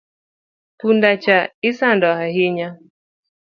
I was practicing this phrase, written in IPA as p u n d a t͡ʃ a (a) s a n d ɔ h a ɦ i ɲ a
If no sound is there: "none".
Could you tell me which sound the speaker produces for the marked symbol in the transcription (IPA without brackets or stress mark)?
i